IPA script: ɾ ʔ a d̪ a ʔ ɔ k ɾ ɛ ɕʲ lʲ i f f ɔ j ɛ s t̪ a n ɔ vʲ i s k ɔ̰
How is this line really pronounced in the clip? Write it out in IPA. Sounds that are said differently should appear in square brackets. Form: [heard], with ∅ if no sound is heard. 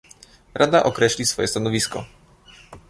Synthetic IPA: ɾ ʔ a d̪ a ʔ ɔ k ɾ ɛ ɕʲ lʲ i [s] f ɔ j ɛ s t̪ a n ɔ vʲ i s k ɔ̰

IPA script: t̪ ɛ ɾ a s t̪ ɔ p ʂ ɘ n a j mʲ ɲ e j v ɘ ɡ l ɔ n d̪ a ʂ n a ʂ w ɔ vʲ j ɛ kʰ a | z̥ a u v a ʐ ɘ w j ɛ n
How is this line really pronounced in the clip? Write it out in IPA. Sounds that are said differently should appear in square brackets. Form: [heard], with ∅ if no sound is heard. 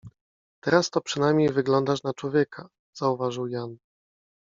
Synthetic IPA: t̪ ɛ ɾ a s t̪ ɔ p ʂ ɘ n a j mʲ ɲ e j v ɘ ɡ l ɔ n d̪ a ʂ n a [t͡ʂ] w ɔ vʲ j ɛ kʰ a | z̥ a u v a ʐ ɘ w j [a] n

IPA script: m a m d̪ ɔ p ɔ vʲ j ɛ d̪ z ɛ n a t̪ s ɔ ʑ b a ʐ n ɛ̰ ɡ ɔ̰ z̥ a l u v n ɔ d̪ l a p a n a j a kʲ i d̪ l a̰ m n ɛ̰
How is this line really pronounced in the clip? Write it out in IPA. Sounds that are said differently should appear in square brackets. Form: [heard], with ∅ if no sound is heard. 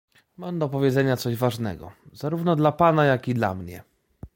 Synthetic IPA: m a m d̪ ɔ p ɔ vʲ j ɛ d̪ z ɛ [ɲ] a t̪ s ɔ ʑ [v] a ʐ n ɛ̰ ɡ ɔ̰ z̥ a [ɾ] u v n ɔ d̪ l a p a n a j a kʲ i d̪ l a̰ m [ɲ] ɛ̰

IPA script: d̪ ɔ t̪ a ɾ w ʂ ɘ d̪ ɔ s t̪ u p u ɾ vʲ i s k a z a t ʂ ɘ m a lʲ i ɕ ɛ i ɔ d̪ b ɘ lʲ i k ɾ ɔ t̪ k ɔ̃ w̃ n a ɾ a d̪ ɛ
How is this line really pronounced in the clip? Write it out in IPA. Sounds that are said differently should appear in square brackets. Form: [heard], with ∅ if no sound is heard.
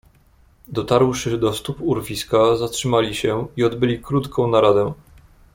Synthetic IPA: d̪ ɔ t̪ a ɾ w ʂ ɘ d̪ ɔ s t̪ u p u ɾ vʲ i s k a z a t ʂ ɘ m a lʲ i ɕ ɛ i ɔ d̪ b ɘ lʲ i k ɾ [u] t̪ k ɔ̃ w̃ n a ɾ a d̪ ɛ

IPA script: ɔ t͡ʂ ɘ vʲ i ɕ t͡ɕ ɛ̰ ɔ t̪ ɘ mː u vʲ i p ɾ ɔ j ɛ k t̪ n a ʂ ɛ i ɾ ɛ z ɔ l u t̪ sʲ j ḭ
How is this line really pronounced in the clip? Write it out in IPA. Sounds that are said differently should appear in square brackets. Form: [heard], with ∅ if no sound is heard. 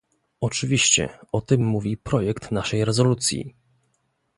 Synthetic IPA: ɔ t͡ʂ ɘ vʲ i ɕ t͡ɕ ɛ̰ ɔ t̪ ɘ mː u vʲ i p ɾ ɔ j ɛ k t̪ n a ʂ ɛ [j] ɾ ɛ z ɔ l u t̪ sʲ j ḭ

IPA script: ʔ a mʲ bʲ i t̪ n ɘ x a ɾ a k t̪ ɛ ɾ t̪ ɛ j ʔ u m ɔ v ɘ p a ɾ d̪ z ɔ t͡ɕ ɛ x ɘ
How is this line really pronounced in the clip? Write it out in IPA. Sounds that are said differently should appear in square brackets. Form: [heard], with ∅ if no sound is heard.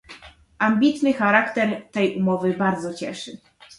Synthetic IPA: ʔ a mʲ bʲ i t̪ n ɘ x a ɾ a k t̪ ɛ ɾ t̪ ɛ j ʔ u m ɔ v ɘ [b] a ɾ d̪ z ɔ t͡ɕ ɛ [ʂ] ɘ

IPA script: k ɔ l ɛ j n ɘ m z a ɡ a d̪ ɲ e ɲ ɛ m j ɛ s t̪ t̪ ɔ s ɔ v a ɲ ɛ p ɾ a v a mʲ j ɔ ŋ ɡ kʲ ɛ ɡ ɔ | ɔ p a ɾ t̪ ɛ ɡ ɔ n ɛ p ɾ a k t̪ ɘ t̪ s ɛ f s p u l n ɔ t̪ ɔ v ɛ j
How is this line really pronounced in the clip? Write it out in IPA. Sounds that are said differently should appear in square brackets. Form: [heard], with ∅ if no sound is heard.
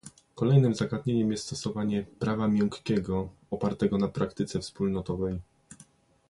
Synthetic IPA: k ɔ l ɛ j n ɘ m z a ɡ a d̪ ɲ e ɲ ɛ m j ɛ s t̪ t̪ ɔ s ɔ v a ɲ ɛ p ɾ a v a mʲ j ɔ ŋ [k] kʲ ɛ ɡ ɔ | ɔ p a ɾ t̪ ɛ ɡ ɔ n [a] p ɾ a k t̪ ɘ t̪ s ɛ f s p u l n ɔ t̪ ɔ v ɛ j

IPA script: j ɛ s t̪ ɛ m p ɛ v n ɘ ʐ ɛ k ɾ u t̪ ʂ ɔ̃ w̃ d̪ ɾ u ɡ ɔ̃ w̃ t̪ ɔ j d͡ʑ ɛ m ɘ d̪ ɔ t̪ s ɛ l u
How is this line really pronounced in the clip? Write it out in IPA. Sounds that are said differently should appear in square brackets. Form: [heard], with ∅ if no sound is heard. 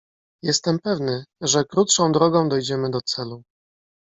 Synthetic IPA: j ɛ s t̪ ɛ m p ɛ v n ɘ ʐ ɛ k ɾ u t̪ ʂ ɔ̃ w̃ d̪ ɾ [ɔ] ɡ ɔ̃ w̃ [d̪] ɔ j d͡ʑ ɛ m ɘ d̪ ɔ t̪ s ɛ l u

